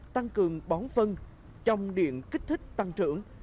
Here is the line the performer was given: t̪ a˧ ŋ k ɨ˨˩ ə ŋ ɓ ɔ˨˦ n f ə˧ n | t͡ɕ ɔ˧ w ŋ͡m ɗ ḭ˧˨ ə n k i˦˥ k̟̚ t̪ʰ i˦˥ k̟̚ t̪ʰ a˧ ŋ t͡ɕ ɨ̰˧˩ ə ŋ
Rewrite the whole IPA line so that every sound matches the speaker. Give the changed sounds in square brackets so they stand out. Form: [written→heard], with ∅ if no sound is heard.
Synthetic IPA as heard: t̪ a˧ ŋ k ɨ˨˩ ə ŋ ɓ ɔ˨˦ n f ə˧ n | t͡ɕ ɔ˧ w ŋ͡m ɗ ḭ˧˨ ə n k i˦˥ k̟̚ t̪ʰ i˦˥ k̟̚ [t̪ʰ→t̪] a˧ ŋ t͡ɕ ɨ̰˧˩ ə ŋ

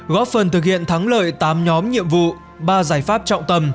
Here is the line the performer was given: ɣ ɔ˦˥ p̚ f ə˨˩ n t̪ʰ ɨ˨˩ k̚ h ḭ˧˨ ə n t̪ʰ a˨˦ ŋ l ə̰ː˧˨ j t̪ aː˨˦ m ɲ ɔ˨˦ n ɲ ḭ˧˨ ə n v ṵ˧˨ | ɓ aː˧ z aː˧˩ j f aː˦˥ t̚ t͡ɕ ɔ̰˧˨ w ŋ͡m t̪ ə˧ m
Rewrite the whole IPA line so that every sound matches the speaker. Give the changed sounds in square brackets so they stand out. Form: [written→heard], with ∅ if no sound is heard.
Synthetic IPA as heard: ɣ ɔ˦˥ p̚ f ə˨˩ n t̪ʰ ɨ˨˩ k̚ h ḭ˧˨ ə n t̪ʰ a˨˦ ŋ l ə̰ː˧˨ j t̪ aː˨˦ m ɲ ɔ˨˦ [n→m] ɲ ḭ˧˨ ə [n→m] v ṵ˧˨ | ɓ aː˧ z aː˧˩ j f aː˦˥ [t̚→p̚] t͡ɕ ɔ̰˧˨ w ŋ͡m t̪ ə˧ m

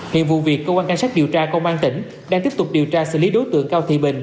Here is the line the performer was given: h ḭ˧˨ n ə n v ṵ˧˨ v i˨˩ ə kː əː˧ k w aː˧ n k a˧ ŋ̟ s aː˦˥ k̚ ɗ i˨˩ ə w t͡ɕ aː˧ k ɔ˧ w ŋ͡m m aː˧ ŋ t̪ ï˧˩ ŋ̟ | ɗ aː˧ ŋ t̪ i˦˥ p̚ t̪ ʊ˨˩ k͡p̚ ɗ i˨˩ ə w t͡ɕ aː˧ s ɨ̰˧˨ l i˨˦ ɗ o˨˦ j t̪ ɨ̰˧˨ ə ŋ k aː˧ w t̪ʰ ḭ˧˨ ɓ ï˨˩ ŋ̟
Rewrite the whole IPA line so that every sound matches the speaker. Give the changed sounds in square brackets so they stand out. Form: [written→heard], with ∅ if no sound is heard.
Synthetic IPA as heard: h ḭ˧˨ [n→∅] ə n v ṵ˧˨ v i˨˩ ə kː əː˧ k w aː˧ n k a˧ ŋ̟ s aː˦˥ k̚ ɗ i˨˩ ə w t͡ɕ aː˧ k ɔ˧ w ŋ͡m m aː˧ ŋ t̪ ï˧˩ ŋ̟ | ɗ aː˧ ŋ t̪ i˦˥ p̚ t̪ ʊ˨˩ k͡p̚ ɗ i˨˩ ə w t͡ɕ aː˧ s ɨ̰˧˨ l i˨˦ ɗ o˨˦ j t̪ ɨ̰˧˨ ə ŋ k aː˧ w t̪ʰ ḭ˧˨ ɓ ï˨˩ ŋ̟

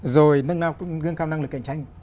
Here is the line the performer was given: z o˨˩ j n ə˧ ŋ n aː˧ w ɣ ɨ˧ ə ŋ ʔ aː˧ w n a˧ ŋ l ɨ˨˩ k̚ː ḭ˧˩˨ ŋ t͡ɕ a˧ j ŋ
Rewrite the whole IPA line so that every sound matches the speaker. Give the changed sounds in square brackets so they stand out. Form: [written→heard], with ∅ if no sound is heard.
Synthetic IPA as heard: z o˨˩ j n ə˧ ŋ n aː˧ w ɣ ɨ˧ ə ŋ [ʔ→k] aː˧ w n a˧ ŋ l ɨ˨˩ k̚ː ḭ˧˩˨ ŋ t͡ɕ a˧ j ŋ

